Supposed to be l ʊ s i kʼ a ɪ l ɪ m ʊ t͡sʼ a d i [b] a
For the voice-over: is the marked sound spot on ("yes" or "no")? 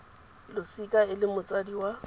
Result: no